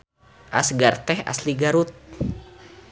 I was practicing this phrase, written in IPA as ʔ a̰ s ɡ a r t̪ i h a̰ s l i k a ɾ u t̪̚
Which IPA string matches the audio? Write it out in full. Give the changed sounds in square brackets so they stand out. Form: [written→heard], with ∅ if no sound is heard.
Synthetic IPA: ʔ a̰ s ɡ a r t̪ [i→ɛ] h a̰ s l i [k→ɡ] a ɾ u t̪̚

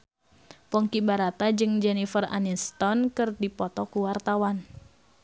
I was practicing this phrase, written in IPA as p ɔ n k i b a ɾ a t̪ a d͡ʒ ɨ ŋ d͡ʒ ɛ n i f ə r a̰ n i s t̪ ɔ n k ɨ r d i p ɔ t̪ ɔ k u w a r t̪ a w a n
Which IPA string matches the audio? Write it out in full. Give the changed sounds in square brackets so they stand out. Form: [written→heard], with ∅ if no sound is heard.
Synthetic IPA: p ɔ [n→ŋ] k i b a ɾ a t̪ a d͡ʒ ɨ ŋ d͡ʒ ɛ n i f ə r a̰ n i s t̪ ɔ n k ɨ r d i p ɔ t̪ ɔ k u w a r t̪ a w a n

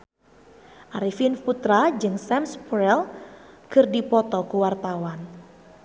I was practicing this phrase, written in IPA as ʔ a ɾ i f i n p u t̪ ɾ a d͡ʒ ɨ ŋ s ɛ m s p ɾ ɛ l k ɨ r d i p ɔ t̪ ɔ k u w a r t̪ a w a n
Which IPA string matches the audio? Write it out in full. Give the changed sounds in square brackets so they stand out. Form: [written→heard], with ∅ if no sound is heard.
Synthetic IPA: ʔ a ɾ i f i n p u t̪ ɾ a d͡ʒ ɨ ŋ s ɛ m s p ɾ ɛ l k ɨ r d i p ɔ t̪ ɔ k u w a r t̪ a w a n

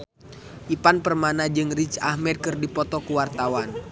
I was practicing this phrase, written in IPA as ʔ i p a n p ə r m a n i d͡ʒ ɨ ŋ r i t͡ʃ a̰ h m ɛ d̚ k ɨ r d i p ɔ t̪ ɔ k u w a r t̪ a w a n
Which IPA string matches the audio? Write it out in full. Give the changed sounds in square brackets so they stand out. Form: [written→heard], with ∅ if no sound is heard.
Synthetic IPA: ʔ i p a n p ə r m a n [i→a] d͡ʒ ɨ ŋ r i t͡ʃ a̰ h m ɛ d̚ k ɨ r d i p ɔ t̪ ɔ k u w a r t̪ a w a n

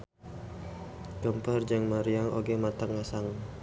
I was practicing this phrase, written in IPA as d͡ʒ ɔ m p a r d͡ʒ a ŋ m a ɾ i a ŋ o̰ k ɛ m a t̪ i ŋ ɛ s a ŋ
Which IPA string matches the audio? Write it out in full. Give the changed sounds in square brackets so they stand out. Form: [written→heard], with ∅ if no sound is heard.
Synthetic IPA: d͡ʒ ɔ m p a r d͡ʒ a ŋ m a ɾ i a ŋ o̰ [k→ɡ] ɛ m a t̪ [i→a] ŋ [ɛ→a] s a ŋ

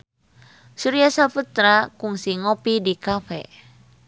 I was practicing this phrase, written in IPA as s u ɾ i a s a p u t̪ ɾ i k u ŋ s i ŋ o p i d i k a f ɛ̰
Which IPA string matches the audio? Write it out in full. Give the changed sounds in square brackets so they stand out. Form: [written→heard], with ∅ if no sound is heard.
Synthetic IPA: s u ɾ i a s a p u t̪ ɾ [i→a] k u ŋ s i ŋ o p i d i k a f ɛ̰

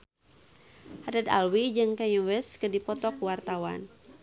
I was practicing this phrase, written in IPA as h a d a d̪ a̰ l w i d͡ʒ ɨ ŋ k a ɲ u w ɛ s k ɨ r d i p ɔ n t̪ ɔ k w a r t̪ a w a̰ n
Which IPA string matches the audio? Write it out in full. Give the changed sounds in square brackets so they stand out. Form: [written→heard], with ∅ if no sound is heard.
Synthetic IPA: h a d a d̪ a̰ l w i d͡ʒ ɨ ŋ k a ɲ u w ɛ s k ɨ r d i p ɔ [n→∅] t̪ ɔ k w a r t̪ a w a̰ n

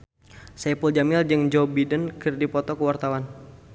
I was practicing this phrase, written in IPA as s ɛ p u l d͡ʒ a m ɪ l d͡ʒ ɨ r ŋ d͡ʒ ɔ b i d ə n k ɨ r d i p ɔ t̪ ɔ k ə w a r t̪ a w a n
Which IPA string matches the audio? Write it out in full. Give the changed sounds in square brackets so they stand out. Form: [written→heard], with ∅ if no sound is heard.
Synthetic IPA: s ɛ p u l d͡ʒ a m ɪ l d͡ʒ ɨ [r→∅] ŋ d͡ʒ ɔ b i d ə n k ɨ r d i p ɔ t̪ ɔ k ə w a r t̪ a w a n

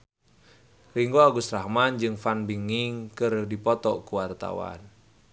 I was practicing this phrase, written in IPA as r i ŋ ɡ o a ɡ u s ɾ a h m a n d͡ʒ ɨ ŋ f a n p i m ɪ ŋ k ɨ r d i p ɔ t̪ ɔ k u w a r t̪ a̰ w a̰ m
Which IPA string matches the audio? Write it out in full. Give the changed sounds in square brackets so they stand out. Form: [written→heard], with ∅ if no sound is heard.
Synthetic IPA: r i ŋ ɡ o a ɡ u s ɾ a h m a n d͡ʒ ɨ ŋ f a n [p→b] i [m→ŋ] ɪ ŋ k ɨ r d i p ɔ t̪ ɔ k u w a r t̪ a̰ w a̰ [m→n]

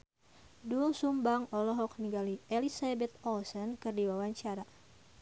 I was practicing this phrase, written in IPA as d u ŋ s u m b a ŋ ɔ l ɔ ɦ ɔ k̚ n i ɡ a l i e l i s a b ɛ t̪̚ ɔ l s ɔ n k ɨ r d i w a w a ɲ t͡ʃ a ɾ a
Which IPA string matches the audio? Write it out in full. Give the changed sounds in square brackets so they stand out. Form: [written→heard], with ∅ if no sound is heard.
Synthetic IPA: d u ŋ s u m b a ŋ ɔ l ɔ ɦ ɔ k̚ n i ɡ a l i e l i s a b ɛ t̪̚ ɔ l s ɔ n k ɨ r d i w a w a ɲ t͡ʃ a ɾ a

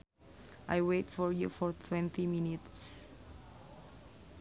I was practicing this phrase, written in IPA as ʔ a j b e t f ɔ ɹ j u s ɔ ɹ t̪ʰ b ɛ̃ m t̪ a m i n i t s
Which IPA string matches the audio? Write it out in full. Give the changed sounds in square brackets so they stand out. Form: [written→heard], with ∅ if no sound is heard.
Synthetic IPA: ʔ a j [b→w] e t f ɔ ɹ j u [s→f] ɔ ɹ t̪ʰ [b→w] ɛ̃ [m→n] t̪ [a→i] m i n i t s

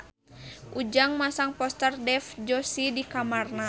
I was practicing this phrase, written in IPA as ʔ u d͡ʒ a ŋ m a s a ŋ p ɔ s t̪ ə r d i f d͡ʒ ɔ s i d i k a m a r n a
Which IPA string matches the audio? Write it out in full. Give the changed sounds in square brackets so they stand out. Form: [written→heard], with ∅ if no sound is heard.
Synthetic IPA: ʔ u d͡ʒ a ŋ m a s a ŋ p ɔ s t̪ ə r d [i→ɛ] f d͡ʒ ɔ s i d i k a m a r n a

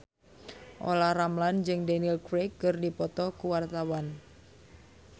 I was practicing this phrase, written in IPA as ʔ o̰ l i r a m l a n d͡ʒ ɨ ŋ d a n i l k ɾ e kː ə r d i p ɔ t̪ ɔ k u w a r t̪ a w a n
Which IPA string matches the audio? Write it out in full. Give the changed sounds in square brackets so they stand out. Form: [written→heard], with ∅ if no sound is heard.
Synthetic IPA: ʔ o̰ l [i→a] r a m l a n d͡ʒ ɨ ŋ d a n i l k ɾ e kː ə r d i p ɔ t̪ ɔ k u w a r t̪ a w a n

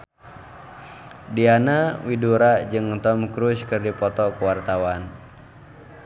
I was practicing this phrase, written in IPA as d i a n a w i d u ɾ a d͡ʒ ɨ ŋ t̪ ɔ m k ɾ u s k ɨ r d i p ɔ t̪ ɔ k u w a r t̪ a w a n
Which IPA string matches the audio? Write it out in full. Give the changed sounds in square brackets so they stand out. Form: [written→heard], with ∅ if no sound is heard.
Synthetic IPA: d i a n a w i d u ɾ a d͡ʒ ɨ ŋ t̪ ɔ m k ɾ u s k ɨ r d i p ɔ t̪ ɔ k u w a r t̪ a w a n

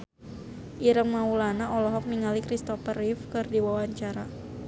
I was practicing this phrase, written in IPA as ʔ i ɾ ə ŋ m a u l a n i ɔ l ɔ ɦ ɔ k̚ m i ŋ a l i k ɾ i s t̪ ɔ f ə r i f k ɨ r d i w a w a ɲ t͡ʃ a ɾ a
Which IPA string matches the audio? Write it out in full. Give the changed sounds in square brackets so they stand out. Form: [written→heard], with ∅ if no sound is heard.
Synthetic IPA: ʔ i ɾ ə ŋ m a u l a n [i→a] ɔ l ɔ ɦ ɔ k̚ m i ŋ a l i k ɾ i s t̪ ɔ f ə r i f k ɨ r d i w a w a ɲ t͡ʃ a ɾ a

